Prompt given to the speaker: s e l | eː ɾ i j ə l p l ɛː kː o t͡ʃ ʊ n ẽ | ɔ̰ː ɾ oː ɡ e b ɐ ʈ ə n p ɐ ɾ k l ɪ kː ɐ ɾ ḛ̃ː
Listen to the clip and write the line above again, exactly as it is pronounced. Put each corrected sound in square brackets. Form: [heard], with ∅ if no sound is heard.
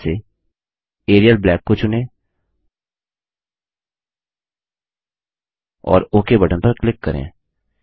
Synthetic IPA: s e [∅] | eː ɾ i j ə l [b] l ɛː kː o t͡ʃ ʊ n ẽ | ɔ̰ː ɾ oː [k] e b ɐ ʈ ə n p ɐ ɾ k l ɪ kː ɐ ɾ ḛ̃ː